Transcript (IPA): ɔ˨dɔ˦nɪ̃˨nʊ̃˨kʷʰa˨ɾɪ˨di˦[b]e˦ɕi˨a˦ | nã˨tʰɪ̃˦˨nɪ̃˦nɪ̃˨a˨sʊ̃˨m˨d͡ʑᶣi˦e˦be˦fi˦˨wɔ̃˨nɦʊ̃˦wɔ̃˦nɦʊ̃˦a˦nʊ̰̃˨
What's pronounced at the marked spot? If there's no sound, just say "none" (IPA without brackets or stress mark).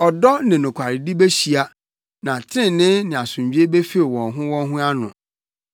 b